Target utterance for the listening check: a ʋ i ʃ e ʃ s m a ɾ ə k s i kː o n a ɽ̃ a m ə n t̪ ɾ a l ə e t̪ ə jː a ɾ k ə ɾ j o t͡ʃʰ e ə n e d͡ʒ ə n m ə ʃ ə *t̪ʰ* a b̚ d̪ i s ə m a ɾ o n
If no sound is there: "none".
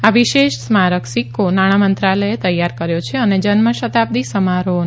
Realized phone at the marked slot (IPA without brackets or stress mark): t̪